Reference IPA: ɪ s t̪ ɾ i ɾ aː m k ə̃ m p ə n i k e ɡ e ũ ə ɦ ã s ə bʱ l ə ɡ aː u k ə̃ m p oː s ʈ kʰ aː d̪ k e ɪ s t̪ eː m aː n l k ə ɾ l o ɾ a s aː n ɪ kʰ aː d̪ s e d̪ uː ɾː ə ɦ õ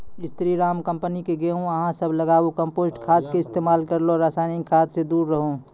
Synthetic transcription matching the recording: ɪ s t̪ ɾ i ɾ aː m k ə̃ m p ə n i k e ɡ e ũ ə ɦ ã s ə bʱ l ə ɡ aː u k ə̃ m p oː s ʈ kʰ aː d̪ k e ɪ s t̪ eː m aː l k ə ɾ l o ɾ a s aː n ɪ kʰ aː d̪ s e d̪ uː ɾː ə ɦ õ